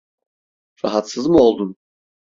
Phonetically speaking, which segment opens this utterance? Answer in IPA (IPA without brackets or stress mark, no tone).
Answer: ɾ